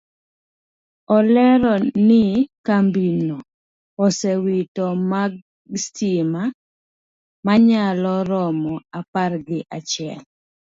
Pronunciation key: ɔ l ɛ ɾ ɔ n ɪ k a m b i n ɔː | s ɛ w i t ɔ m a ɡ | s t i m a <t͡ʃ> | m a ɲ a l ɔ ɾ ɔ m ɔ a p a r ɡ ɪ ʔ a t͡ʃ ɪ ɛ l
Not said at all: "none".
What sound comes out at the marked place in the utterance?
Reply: none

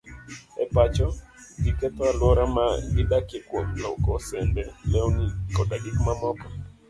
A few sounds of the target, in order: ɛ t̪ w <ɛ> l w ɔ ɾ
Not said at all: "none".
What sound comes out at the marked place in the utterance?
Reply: a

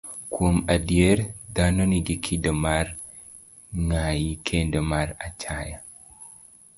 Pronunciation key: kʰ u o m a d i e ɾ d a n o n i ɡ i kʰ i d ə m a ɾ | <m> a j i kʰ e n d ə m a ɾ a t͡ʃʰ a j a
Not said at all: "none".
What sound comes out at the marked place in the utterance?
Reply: ŋ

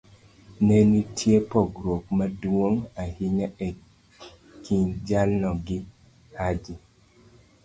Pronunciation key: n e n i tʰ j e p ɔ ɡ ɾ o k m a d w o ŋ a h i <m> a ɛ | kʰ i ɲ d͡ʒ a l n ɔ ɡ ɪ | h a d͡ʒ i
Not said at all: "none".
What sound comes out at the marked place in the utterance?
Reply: ɲ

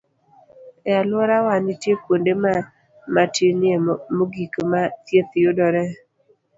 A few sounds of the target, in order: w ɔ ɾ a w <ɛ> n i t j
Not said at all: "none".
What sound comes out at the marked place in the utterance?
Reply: a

